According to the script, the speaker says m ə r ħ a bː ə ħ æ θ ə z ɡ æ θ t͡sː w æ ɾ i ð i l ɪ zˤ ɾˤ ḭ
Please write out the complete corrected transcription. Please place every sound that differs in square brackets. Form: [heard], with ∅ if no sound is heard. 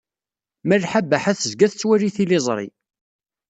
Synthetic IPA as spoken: m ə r ħ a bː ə ħ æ θ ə z ɡ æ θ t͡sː w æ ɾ i [θ] i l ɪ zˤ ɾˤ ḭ